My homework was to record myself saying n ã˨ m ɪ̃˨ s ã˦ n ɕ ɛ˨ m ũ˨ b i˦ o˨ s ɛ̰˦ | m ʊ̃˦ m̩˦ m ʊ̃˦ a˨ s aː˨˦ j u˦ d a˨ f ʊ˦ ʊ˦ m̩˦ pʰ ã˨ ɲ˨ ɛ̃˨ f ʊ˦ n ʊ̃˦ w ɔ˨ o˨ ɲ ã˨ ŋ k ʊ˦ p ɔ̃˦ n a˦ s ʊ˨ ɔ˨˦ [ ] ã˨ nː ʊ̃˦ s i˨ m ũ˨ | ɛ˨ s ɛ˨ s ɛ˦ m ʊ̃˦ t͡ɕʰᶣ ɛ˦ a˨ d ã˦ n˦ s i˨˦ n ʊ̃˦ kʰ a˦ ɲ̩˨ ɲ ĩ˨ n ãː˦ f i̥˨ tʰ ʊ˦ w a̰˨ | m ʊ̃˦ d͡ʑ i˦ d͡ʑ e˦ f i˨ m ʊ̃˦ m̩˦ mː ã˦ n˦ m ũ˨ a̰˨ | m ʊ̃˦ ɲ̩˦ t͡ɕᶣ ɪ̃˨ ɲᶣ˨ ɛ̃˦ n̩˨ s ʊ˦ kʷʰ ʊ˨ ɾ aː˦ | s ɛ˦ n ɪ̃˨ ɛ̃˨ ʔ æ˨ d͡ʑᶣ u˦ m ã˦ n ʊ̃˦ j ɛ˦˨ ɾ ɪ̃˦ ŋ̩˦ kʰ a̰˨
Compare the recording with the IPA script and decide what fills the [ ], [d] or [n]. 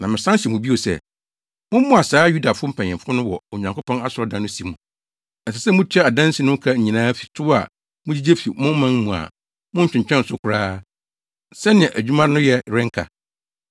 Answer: d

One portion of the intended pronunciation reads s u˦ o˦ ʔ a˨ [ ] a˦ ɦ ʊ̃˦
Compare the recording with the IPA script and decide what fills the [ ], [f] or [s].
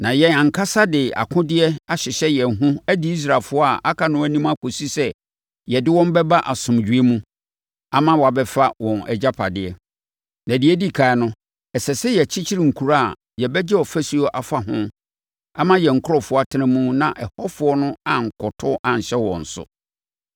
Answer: f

